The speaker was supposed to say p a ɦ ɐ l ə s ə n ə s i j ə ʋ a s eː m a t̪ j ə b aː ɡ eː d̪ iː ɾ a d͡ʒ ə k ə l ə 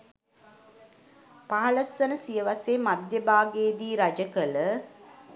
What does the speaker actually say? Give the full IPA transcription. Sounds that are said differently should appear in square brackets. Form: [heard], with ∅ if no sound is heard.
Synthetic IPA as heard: p a ɦ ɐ l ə s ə n ə s i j ə ʋ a s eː m a [d̪] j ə b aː ɡ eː d̪ iː ɾ a d͡ʒ ə k ə l ə